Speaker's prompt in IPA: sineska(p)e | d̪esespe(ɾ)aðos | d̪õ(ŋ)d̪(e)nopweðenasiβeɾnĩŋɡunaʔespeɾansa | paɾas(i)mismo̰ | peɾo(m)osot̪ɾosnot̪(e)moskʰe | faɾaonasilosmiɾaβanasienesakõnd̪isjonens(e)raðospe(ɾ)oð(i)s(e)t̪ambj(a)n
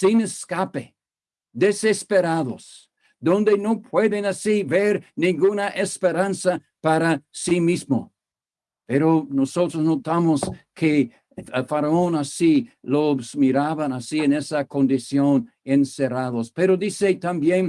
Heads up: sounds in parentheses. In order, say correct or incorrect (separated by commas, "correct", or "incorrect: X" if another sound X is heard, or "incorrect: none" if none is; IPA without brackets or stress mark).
correct, correct, incorrect: n, correct, correct, incorrect: n, incorrect: a, correct, correct, correct, correct, incorrect: e